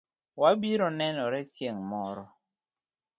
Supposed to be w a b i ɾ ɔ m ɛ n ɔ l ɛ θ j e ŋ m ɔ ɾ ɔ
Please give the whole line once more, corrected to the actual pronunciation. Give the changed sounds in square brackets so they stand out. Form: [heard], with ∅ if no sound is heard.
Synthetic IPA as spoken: w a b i ɾ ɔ [n] ɛ n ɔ [ɾ] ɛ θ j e ŋ m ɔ ɾ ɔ